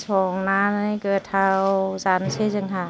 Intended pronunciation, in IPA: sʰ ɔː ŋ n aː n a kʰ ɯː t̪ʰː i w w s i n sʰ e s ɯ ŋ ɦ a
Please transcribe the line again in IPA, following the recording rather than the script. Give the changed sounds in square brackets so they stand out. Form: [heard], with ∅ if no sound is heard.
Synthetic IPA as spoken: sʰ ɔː ŋ n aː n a [k] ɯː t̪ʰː [a] w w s [a] n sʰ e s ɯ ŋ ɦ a